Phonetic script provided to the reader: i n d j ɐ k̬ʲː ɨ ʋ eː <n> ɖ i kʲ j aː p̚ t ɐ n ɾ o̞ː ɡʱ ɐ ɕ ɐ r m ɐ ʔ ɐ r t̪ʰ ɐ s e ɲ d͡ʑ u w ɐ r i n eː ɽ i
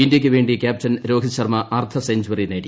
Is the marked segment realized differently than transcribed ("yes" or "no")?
yes